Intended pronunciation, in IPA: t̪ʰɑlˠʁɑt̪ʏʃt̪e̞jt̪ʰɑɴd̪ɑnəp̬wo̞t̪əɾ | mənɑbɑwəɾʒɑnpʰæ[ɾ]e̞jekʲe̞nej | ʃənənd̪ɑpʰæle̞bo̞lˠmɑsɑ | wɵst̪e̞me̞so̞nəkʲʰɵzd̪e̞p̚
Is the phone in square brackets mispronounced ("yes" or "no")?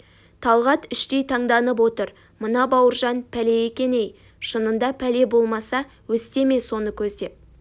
yes